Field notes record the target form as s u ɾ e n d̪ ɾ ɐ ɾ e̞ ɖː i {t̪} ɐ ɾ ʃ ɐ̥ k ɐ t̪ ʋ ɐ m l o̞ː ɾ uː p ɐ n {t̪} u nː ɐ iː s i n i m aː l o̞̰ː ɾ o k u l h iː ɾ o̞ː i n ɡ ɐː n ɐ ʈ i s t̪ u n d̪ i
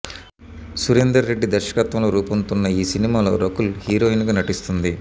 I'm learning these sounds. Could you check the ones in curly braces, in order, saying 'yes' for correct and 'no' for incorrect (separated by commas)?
no, yes